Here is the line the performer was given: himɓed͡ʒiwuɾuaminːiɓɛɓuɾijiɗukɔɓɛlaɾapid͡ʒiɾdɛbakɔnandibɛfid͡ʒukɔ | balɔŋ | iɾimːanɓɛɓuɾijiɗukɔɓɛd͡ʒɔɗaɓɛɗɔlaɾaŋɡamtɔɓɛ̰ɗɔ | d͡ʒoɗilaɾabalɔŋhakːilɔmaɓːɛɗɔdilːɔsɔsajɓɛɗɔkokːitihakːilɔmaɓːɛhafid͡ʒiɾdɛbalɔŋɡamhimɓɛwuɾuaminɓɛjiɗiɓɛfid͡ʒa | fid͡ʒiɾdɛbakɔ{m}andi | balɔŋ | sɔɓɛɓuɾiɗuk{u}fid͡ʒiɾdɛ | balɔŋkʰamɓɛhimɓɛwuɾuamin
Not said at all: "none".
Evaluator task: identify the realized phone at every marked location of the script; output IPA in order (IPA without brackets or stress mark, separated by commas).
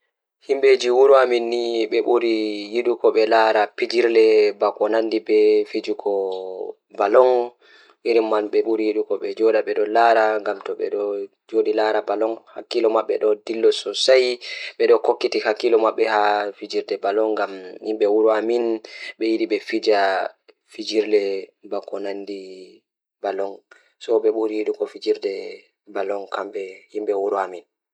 n, ɔ